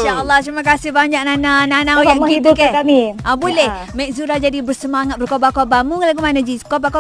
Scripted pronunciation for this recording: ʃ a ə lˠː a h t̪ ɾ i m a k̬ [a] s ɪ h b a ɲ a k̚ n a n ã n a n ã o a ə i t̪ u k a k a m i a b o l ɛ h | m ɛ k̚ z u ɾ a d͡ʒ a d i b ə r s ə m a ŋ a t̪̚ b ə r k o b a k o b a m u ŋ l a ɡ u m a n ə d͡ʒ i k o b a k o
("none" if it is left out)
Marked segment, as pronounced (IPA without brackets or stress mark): a